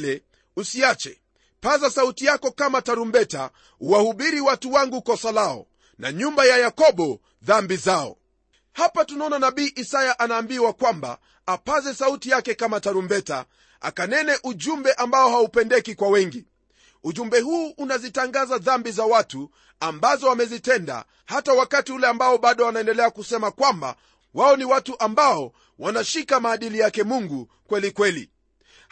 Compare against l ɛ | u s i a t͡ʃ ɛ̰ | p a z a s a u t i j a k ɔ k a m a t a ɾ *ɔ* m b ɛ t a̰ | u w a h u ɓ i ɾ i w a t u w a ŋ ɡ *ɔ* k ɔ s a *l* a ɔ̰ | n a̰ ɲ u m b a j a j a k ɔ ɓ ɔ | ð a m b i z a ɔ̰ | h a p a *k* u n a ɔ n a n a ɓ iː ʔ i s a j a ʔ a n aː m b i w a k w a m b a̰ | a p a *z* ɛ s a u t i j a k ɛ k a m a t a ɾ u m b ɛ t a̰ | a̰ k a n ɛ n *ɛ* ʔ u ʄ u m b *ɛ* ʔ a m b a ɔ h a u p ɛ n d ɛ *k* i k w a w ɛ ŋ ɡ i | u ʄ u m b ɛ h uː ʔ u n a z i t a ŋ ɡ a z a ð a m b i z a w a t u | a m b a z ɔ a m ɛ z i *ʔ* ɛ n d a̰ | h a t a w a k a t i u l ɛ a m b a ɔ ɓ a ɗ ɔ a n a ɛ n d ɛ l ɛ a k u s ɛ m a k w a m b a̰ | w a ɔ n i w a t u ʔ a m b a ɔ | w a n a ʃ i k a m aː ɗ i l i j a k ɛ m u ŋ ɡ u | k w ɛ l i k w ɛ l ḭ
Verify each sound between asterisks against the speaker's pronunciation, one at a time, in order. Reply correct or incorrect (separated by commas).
incorrect, incorrect, correct, incorrect, correct, correct, correct, correct, incorrect